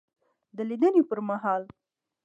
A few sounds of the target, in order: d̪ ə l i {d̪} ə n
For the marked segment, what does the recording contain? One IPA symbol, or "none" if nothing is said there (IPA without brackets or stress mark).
d̪